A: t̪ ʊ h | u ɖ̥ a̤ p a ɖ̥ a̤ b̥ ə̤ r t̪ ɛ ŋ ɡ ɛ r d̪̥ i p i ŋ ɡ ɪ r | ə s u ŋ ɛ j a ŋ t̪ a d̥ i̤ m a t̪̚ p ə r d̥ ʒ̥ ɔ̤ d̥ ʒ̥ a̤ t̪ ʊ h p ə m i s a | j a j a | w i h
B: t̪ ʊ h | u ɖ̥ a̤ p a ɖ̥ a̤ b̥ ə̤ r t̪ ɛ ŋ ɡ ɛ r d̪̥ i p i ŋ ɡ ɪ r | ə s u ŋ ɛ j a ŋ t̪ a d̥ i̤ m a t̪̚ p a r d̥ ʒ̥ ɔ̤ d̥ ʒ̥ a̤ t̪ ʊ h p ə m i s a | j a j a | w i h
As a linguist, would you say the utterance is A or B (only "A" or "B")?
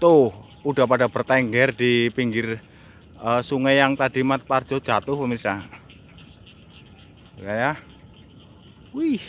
B